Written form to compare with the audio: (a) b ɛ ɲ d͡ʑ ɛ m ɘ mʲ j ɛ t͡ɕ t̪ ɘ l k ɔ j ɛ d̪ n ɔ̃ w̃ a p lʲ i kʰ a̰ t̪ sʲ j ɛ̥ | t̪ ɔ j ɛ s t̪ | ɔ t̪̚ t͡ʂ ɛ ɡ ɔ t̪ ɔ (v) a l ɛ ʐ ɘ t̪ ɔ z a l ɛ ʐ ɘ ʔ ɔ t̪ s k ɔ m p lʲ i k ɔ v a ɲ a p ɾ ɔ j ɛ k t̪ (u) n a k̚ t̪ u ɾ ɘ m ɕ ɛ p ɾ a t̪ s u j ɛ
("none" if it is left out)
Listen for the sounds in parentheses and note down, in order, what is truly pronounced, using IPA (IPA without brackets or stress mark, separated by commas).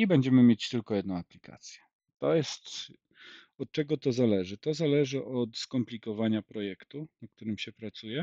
i, z, u